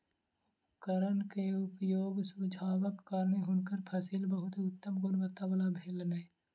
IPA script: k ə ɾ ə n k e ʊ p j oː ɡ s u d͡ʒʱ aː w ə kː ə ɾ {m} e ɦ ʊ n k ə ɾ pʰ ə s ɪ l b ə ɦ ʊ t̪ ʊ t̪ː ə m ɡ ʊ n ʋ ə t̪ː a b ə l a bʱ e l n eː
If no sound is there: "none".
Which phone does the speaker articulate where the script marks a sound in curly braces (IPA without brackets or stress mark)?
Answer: n